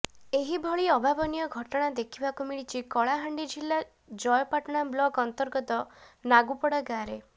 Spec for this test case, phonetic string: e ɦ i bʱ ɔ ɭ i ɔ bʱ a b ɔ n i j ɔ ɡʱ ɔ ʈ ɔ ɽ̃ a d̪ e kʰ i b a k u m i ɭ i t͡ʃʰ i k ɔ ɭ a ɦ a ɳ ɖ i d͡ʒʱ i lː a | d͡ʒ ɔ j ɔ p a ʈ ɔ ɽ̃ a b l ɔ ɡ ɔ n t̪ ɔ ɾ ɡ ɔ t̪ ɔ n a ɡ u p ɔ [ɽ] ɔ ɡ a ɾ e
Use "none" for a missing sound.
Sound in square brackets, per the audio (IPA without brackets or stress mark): ɽ